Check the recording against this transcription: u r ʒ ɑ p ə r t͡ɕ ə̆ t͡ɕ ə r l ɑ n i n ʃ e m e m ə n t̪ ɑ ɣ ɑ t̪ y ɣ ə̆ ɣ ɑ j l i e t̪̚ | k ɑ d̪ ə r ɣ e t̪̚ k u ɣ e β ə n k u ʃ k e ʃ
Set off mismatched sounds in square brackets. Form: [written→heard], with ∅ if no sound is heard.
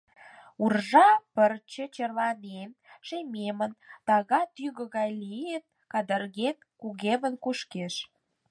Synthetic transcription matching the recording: u r ʒ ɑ p ə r t͡ɕ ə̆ t͡ɕ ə r l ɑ n [i→e] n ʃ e m e m ə n t̪ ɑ ɣ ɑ t̪ y ɣ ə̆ ɣ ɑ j l i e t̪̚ | k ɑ d̪ ə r ɣ e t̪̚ k u ɣ e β ə n k u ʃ k e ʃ